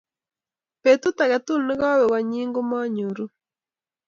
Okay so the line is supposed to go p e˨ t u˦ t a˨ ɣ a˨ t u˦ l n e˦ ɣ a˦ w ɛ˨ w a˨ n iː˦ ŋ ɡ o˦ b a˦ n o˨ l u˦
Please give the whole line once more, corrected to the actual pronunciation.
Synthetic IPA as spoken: p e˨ t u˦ t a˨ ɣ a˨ t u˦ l n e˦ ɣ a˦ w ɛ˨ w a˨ ɲ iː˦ ŋ ɡ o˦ m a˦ ɲ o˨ ɾ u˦